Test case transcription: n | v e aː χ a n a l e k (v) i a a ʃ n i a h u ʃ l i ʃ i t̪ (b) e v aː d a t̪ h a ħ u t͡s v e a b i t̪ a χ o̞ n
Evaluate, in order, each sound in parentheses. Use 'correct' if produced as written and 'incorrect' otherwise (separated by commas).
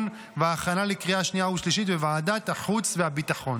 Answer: incorrect, incorrect